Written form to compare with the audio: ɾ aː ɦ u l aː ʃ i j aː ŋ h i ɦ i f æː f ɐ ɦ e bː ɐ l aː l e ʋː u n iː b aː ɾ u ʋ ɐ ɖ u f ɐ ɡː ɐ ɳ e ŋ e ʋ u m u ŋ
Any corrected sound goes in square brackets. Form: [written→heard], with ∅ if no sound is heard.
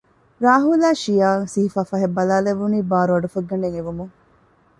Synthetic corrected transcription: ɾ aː ɦ u l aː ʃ i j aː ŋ [h→s] i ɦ i f [æː→aː] f ɐ ɦ e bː ɐ l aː l e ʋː u n iː b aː ɾ u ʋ ɐ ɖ u f ɐ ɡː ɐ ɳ e ŋ e ʋ u m u ŋ

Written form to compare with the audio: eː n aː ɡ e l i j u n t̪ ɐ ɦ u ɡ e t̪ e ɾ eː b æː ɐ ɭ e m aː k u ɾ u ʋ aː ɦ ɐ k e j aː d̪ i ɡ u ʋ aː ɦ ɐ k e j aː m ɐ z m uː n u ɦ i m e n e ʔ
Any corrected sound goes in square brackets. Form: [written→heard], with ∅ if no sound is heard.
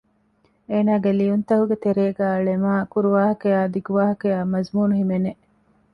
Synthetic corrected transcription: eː n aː ɡ e l i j u n t̪ ɐ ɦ u ɡ e t̪ e ɾ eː [b→ɡ] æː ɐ ɭ e m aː k u ɾ u ʋ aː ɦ ɐ k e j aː d̪ i ɡ u ʋ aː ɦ ɐ k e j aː m ɐ z m uː n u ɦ i m e n e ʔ

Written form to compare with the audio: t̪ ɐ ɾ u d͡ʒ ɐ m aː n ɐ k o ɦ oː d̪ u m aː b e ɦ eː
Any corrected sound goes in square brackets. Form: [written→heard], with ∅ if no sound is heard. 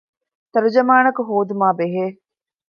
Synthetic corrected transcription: t̪ ɐ ɾ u d͡ʒ ɐ m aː n ɐ k [o→u] ɦ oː d̪ u m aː b e ɦ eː

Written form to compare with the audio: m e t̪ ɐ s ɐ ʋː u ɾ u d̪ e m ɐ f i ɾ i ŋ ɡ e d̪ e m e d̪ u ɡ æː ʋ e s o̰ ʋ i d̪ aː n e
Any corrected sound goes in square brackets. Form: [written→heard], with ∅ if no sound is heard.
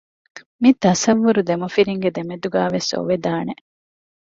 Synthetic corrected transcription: m [e→i] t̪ ɐ s ɐ ʋː u ɾ u d̪ e m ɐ f i ɾ i ŋ ɡ e d̪ e m e d̪ u ɡ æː ʋ e s o̰ ʋ [i→e] d̪ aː n e

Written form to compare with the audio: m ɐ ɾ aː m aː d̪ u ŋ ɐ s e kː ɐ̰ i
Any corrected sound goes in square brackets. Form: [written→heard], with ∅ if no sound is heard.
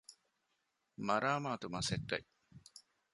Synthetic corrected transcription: m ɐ ɾ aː m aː [d̪→t̪] u [ŋ→m] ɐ s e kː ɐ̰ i

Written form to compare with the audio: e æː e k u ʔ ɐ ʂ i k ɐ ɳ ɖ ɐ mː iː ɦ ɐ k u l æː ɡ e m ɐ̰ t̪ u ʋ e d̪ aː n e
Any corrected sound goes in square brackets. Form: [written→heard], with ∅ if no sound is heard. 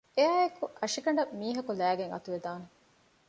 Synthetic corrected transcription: e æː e k u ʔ ɐ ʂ i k ɐ ɳ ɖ ɐ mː iː ɦ ɐ k u l æː ɡ e [m→ŋ] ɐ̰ t̪ u ʋ e d̪ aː n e

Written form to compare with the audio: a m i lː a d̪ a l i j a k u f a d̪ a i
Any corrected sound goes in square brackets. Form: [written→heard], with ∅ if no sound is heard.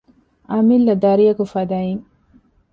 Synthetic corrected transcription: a m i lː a d̪ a [l→ɾ] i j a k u f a d̪ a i

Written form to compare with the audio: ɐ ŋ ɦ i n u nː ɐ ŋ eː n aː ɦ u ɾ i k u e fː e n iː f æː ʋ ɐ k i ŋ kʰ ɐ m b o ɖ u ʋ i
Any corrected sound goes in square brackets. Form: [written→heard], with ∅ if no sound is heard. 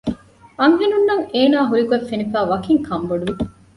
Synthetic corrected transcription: ɐ ŋ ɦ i n u nː ɐ ŋ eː n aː ɦ u ɾ i k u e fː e n [iː→i] f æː ʋ ɐ k i ŋ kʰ ɐ m b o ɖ u ʋ i

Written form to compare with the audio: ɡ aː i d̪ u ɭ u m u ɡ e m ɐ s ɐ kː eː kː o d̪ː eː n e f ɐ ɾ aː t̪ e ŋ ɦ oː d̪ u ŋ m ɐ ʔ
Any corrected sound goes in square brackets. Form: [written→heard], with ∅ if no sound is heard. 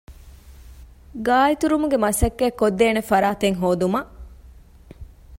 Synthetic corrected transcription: ɡ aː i [d̪→t̪] u [ɭ→ɾ] u m u ɡ e m ɐ s ɐ kː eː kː o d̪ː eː n e f ɐ ɾ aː t̪ e ŋ ɦ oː d̪ u [ŋ→∅] m ɐ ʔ

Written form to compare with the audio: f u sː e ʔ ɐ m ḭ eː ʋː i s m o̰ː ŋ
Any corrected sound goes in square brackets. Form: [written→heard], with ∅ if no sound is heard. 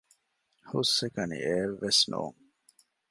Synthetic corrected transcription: [f→h] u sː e [ʔ→k] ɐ [m→n] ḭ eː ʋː [i→e] s [m→n] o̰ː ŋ

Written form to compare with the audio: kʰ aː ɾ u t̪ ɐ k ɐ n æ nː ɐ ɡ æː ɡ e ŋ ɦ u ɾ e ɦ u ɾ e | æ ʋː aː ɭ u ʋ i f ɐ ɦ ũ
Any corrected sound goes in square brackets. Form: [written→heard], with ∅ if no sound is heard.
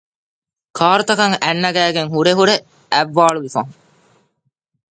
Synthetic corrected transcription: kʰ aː ɾ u t̪ ɐ k ɐ [n→ŋ] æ nː ɐ ɡ æː ɡ e ŋ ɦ u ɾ e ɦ u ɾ e | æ ʋː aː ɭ u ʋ i f ɐ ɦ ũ

